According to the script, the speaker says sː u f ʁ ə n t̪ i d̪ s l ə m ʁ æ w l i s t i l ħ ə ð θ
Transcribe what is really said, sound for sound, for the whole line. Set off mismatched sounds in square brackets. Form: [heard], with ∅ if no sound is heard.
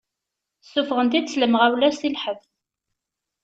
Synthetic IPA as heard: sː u f ʁ ə n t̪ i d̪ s l ə m ʁ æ w l [æ] s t i l ħ ə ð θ